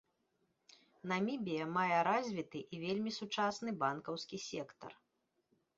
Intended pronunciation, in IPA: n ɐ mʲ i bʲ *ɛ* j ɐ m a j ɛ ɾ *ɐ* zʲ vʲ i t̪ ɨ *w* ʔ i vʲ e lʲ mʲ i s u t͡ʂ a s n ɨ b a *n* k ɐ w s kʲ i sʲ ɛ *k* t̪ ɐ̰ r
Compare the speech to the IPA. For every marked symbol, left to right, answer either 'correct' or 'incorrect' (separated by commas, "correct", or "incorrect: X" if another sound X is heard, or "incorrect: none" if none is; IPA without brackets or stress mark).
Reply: incorrect: i, incorrect: a, incorrect: none, correct, correct